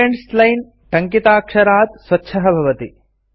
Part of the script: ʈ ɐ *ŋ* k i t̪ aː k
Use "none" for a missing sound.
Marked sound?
ŋ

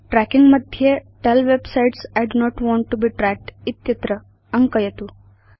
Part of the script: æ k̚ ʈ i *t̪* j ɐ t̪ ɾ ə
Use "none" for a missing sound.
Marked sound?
t̪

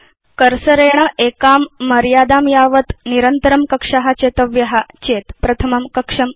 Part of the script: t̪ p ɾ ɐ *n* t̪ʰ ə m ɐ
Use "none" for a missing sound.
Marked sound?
none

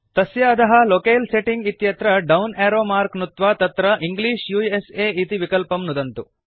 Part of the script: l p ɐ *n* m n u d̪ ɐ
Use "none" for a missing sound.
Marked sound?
none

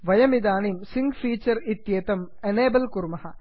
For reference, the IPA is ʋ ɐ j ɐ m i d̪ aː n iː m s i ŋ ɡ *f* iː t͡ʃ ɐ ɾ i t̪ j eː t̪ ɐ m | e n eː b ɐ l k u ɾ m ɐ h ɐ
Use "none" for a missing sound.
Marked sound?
f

